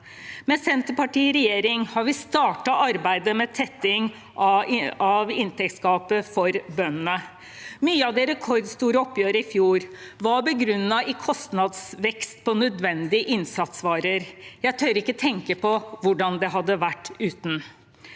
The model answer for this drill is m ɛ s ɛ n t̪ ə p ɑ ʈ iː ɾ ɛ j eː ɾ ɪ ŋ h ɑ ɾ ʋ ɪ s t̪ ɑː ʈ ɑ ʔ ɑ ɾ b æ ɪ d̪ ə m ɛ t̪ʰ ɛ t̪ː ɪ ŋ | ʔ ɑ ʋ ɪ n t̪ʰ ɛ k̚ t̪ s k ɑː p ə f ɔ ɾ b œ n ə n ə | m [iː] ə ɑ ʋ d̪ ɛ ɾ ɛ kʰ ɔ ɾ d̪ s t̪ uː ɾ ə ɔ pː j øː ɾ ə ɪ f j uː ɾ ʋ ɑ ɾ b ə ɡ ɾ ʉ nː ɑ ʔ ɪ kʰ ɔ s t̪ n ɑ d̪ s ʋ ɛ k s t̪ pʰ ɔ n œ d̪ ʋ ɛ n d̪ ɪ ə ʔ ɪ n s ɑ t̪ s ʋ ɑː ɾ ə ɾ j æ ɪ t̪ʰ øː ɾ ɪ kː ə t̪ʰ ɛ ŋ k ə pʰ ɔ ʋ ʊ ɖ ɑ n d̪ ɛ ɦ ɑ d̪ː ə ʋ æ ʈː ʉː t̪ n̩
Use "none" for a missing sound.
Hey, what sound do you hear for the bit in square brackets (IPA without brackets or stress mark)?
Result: yː